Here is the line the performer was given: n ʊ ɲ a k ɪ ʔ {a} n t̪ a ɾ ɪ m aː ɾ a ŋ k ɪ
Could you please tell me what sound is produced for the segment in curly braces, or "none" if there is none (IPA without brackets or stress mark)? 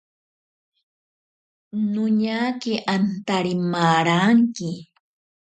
a